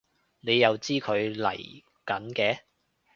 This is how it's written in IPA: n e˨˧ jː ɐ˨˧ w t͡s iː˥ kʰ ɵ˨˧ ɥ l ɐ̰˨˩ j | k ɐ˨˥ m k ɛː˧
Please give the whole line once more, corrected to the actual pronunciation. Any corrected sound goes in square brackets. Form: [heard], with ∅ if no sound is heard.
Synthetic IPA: n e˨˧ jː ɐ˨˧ w t͡s iː˥ kʰ ɵ˨˧ ɥ l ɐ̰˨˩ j | k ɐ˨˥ [n] k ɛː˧